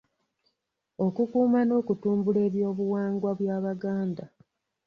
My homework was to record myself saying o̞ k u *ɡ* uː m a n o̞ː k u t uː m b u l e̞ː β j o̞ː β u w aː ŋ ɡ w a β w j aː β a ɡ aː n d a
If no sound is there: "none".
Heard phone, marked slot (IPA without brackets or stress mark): k